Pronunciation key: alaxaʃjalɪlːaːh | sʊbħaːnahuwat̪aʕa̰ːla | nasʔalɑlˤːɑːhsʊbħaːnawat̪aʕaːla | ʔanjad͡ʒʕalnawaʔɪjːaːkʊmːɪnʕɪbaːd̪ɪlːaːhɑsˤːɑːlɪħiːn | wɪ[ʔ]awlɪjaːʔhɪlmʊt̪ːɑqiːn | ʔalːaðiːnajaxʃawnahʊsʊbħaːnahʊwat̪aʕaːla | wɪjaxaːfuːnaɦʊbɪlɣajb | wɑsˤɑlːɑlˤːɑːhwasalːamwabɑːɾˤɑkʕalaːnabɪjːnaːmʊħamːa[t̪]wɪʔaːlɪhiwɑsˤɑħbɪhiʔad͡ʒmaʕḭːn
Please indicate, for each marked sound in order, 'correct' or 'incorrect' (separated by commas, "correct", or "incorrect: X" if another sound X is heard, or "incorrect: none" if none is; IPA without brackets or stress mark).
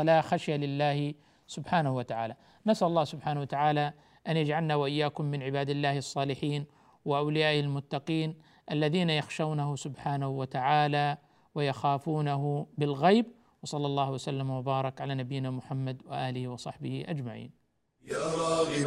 correct, incorrect: d̪